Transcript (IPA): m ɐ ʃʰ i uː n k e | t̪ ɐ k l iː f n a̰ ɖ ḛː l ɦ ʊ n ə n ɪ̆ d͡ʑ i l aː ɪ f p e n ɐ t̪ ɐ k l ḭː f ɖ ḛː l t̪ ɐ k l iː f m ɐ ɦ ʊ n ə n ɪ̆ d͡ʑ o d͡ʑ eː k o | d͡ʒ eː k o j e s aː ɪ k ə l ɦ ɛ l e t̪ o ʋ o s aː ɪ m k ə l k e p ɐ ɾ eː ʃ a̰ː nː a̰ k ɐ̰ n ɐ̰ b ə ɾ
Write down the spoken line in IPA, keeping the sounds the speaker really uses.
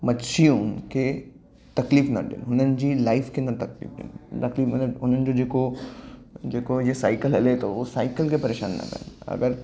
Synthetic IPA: m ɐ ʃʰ i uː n k e | t̪ ɐ k l iː f n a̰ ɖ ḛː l ɦ ʊ n ə n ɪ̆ d͡ʑ i l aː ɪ f k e n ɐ t̪ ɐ k l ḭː f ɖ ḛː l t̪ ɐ k l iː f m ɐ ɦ ʊ n ə n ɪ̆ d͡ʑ o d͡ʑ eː k o | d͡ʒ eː k o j e s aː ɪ k ə l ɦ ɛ l e t̪ o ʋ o s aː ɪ k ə l k e p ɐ ɾ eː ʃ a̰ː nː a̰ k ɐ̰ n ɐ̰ ɡ ə ɾ